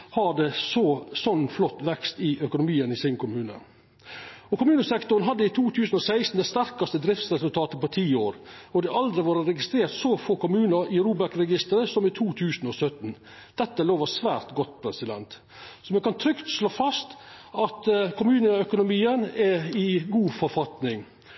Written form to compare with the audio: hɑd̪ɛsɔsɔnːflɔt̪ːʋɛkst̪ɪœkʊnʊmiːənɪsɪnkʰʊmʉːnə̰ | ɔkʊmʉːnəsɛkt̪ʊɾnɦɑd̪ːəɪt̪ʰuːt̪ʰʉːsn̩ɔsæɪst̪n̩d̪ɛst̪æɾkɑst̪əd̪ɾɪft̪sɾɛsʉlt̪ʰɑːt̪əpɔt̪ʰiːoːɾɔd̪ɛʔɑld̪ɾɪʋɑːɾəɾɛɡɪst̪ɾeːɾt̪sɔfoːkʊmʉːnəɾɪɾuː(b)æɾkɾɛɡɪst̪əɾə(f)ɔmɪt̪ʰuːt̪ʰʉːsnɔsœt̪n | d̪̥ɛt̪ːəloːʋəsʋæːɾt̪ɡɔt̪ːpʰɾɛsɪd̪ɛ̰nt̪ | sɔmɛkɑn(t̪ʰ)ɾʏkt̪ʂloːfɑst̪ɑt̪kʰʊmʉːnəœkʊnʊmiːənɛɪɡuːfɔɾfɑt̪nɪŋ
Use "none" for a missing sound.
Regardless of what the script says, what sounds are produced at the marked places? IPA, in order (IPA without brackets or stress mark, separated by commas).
b, s, t̪ʰ